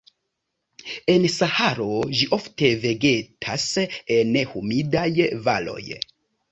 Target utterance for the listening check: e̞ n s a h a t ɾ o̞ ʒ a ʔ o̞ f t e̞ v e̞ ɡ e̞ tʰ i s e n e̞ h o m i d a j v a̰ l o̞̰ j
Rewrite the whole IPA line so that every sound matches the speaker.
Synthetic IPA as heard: e̞ n s a h a ɾ o̞ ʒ i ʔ o̞ f t e̞ v e̞ ɡ e̞ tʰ a s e n e̞ h u m i d a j v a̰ l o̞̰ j